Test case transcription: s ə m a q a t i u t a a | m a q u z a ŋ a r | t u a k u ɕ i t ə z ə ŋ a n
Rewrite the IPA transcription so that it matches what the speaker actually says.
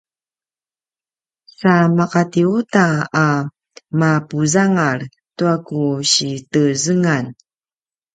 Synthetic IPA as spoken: s a m a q a t i u t a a | m a p u z a ŋ a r | t u a k u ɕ i t ə z ə ŋ a n